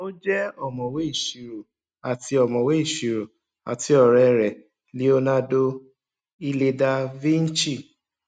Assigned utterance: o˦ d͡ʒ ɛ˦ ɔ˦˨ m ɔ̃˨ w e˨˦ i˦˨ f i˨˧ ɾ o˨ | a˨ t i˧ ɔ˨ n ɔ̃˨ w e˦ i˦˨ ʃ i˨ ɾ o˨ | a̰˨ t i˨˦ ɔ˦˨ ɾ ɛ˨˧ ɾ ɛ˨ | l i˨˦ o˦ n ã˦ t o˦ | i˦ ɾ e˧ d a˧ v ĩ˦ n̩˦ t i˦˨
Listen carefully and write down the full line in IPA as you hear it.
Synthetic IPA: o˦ d͡ʒ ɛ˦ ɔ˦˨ m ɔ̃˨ w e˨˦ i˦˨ ʃ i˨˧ ɾ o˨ | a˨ t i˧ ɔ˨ m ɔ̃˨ w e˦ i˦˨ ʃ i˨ ɾ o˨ | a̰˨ t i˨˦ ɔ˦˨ ɾ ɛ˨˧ ɾ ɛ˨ | l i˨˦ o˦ n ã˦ d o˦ | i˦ l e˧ d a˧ v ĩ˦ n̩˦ t͡ʃ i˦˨